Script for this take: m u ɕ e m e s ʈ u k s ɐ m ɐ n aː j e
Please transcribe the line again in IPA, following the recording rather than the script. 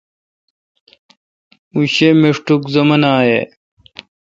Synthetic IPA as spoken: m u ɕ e m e ʂ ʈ u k z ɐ m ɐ n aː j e